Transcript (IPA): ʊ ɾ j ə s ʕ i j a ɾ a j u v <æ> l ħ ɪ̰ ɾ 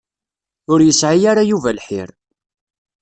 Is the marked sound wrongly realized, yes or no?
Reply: no